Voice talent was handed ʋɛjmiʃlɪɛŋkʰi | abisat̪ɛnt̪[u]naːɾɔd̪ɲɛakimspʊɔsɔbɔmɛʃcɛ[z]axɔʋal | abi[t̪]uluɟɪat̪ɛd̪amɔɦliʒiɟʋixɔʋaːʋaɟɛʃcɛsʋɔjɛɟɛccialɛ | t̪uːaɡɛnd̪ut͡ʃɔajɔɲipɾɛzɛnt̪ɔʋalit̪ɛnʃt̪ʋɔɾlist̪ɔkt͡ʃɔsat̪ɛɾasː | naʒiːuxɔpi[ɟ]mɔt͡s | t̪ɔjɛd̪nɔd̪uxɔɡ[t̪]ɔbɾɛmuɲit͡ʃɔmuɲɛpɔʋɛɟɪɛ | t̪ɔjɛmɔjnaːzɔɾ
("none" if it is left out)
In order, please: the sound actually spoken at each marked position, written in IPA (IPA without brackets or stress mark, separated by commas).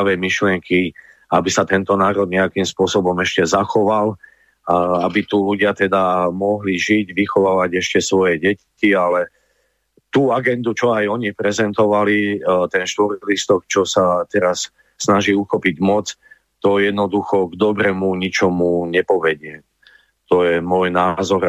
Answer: ɔ, z, t̪, ɟ, d̪